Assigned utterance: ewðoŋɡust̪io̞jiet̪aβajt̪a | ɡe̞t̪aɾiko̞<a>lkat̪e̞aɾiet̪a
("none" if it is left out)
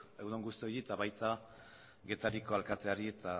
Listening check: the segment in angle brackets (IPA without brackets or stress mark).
a